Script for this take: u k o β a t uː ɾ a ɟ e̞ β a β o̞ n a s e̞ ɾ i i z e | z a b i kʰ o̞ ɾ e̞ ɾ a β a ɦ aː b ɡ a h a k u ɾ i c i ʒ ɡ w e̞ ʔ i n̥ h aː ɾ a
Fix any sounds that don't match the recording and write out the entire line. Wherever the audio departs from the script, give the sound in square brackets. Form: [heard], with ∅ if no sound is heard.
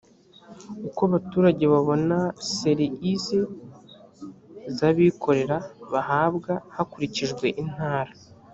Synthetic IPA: u k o β a t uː ɾ a ɟ e̞ β a β o̞ n a s e̞ ɾ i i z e | z a [β] i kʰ o̞ ɾ e̞ ɾ a β a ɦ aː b ɡ a h a k u ɾ i c i ʒ ɡ w e̞ ʔ i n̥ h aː ɾ a